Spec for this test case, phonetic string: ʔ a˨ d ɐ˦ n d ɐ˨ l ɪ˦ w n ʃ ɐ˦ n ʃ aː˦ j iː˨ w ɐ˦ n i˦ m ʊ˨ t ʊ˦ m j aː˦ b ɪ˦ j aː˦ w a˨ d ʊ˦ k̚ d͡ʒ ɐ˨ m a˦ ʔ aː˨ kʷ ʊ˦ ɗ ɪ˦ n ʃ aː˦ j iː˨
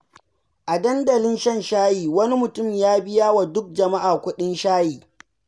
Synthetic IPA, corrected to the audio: ʔ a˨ d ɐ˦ n d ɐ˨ l ɪ˦ n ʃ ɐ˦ n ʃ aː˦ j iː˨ w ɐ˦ n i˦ m ʊ˨ t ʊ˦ m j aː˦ b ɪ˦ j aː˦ w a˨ d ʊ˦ k̚ d͡ʒ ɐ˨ m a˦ ʔ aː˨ kʷ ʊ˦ ɗ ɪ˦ n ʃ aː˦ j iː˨